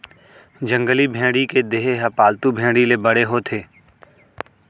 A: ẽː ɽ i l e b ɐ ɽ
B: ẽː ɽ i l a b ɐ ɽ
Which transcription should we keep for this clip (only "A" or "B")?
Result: A